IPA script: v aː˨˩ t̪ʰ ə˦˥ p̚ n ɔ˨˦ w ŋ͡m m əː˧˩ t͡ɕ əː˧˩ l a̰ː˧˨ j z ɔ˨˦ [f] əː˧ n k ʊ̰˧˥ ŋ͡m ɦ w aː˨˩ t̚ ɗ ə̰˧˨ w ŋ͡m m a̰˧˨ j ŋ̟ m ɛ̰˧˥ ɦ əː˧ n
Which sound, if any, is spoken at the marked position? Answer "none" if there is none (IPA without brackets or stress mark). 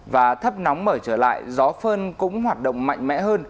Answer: f